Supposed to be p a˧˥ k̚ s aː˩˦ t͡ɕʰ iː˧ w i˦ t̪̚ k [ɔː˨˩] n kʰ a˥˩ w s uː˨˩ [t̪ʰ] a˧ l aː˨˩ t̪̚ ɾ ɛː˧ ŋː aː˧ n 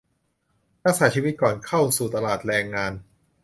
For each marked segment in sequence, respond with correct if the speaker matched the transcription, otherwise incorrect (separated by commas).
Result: correct, incorrect